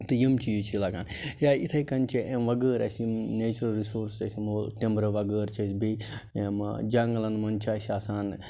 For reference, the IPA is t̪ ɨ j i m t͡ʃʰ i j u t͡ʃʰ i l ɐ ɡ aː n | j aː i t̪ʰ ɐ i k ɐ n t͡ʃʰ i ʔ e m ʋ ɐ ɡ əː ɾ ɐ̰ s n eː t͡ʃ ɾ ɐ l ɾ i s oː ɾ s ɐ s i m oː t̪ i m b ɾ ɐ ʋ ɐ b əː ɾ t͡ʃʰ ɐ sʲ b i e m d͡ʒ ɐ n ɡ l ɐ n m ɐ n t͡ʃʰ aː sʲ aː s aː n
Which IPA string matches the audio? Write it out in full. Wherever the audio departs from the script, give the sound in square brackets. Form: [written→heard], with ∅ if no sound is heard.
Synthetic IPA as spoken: t̪ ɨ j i m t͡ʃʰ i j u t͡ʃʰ i l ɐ ɡ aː n | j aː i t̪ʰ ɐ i k ɐ n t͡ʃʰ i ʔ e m ʋ ɐ ɡ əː ɾ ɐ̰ s n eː t͡ʃ ɾ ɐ l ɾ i s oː ɾ s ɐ s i m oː t̪ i m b ɾ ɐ ʋ ɐ [b→ɡ] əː ɾ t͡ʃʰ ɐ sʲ b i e m d͡ʒ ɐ [n→ŋ] ɡ l ɐ n m ɐ n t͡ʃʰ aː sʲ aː s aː n